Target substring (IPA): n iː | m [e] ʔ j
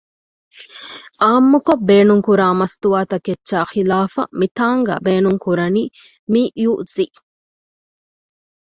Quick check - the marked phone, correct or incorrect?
incorrect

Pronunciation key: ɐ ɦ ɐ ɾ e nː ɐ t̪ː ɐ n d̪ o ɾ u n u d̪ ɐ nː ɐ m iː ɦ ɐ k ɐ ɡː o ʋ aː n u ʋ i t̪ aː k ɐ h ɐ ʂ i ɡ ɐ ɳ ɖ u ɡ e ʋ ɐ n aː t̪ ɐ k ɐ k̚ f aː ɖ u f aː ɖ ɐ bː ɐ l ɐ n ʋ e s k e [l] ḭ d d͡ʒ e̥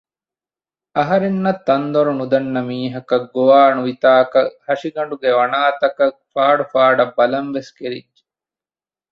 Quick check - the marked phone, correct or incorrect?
incorrect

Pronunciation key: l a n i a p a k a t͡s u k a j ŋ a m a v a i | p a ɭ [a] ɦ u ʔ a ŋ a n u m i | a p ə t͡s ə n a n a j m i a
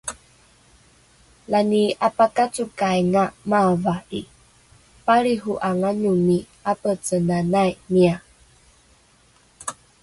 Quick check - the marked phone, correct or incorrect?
incorrect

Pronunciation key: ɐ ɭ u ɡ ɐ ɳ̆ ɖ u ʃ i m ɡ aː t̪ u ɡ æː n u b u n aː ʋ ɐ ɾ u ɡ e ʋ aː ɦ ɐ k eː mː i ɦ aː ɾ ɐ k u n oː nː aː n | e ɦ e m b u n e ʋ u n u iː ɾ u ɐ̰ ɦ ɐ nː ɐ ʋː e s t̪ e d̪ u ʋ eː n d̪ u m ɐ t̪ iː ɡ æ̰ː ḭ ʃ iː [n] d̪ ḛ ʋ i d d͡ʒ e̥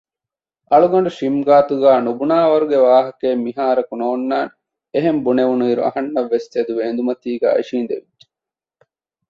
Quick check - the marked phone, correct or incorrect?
correct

